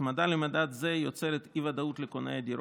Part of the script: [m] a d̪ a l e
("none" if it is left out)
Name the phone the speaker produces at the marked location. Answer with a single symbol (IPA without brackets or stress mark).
m